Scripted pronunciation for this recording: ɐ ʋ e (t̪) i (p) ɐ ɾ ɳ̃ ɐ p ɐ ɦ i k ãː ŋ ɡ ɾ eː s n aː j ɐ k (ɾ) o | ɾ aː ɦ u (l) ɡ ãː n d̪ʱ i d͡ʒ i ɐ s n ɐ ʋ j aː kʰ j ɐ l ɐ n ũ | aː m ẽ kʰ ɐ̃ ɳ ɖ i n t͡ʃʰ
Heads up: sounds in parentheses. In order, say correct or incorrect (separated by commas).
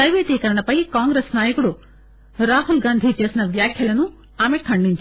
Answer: correct, incorrect, incorrect, correct